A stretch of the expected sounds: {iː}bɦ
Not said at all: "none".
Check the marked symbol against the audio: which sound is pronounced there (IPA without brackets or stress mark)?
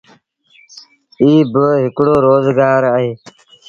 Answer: iː